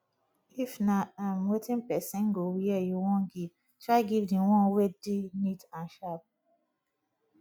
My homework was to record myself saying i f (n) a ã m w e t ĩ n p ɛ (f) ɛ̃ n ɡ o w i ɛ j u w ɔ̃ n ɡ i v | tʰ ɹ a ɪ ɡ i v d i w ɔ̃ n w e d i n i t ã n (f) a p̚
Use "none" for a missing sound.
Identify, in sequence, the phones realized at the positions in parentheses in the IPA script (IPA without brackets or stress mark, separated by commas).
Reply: n, s, ʃ